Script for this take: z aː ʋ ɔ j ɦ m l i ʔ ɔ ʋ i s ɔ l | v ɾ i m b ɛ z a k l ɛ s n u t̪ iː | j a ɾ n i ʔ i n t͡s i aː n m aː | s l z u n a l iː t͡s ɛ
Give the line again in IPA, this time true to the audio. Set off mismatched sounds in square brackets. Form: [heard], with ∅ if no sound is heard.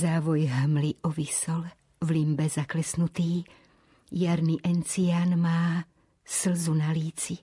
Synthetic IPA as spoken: z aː ʋ ɔ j ɦ m l i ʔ ɔ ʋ i s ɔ l | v [l] i m b ɛ z a k l ɛ s n u t̪ iː | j a ɾ n i ʔ [ɛ] n t͡s i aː n m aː | s l z u n a l iː t͡s [i]